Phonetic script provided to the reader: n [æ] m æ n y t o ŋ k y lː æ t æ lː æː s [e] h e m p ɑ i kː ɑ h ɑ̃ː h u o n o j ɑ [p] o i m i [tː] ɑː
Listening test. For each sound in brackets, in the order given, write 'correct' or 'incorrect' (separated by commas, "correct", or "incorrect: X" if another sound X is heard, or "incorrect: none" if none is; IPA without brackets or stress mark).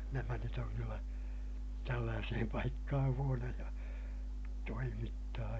correct, correct, incorrect: t, correct